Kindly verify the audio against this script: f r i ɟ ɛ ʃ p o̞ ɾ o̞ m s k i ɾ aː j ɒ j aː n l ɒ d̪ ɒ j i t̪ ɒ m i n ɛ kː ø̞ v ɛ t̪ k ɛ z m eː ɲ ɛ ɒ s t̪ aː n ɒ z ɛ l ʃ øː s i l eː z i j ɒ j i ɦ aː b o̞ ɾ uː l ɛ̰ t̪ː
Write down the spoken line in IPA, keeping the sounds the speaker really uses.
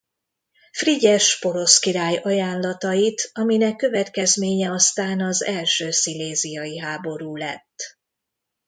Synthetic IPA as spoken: f r i ɟ ɛ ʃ p o̞ ɾ o̞ s k i ɾ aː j ɒ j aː n l ɒ t̪ ɒ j i t̪ ɒ m i n ɛ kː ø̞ v ɛ t̪ k ɛ z m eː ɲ ɛ ɒ s t̪ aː n ɒ z ɛ l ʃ øː s i l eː z i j ɒ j i ɦ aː b o̞ ɾ uː l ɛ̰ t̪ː